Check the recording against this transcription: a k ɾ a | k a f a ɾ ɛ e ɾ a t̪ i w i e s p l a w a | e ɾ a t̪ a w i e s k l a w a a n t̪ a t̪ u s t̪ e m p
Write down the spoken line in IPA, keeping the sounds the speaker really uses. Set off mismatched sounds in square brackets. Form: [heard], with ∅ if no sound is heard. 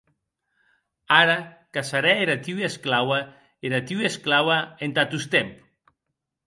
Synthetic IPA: a [∅] ɾ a | k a [s] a ɾ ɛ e ɾ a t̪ i w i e s [k] l a w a | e ɾ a t̪ [i] w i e s k l a w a [e] n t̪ a t̪ u s t̪ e m p